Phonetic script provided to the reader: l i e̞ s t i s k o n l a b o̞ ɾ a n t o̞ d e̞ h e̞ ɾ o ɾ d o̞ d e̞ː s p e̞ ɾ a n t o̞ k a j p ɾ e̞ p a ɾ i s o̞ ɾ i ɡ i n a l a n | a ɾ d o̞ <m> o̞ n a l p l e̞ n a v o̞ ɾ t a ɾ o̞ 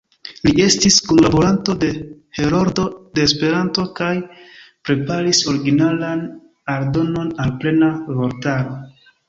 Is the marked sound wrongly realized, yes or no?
yes